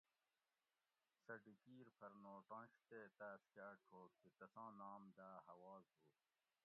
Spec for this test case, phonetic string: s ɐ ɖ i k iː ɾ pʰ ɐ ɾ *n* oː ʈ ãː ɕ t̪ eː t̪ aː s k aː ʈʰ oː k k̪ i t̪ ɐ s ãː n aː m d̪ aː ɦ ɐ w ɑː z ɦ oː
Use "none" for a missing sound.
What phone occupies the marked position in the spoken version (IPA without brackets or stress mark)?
n